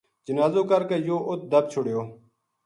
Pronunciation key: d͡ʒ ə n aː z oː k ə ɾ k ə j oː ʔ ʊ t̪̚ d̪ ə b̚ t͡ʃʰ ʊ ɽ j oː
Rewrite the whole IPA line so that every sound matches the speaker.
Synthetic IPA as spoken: d͡ʒ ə n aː z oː k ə ɾ k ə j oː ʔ ʊ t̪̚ d̪ ə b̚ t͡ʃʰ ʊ ɽ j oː